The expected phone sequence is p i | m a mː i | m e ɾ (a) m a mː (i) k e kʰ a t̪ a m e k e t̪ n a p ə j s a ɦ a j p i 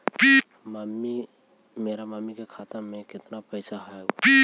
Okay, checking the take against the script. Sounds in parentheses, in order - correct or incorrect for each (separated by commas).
correct, correct